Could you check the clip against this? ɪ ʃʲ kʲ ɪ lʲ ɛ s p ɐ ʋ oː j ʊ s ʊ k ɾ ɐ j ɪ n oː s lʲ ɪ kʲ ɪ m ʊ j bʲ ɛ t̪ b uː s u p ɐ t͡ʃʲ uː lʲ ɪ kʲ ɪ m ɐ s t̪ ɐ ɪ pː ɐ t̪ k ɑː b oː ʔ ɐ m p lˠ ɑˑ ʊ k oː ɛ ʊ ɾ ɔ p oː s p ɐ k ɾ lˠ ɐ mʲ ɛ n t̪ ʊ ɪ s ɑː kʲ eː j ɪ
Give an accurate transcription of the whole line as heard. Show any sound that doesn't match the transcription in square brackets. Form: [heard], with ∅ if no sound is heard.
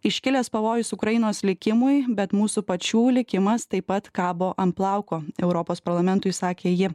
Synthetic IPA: ɪ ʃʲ kʲ ɪ lʲ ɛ s p ɐ ʋ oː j ʊ s ʊ k ɾ ɐ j ɪ n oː s lʲ ɪ kʲ ɪ m ʊ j bʲ ɛ t̪ [m] uː s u p ɐ t͡ʃʲ uː lʲ ɪ kʲ ɪ m ɐ s t̪ ɐ ɪ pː ɐ t̪ k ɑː b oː ʔ ɐ m p lˠ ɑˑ ʊ k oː ɛ ʊ ɾ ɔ p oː s p ɐ [∅] ɾ lˠ ɐ mʲ ɛ n t̪ ʊ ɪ s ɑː kʲ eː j ɪ